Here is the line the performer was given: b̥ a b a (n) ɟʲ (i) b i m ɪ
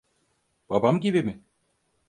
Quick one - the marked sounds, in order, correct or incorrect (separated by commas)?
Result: incorrect, correct